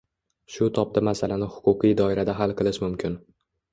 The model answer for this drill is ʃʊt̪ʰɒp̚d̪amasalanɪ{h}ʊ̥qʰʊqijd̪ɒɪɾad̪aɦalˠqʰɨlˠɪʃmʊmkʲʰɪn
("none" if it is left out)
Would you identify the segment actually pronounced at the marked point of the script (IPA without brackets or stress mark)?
h